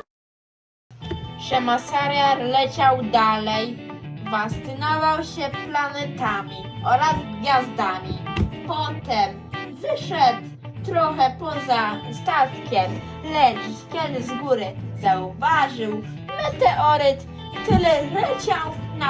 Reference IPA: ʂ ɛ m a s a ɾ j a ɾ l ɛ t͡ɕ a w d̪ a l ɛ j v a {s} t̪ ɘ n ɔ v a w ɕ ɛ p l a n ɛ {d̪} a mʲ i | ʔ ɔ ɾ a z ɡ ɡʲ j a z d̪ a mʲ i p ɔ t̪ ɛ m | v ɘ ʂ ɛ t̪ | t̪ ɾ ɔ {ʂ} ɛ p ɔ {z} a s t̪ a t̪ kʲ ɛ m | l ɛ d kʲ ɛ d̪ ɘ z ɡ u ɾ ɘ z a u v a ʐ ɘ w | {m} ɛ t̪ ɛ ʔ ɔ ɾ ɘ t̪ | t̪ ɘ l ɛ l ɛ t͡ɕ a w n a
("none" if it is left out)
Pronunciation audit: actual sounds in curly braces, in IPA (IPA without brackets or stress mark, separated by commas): s, t̪, x, z, m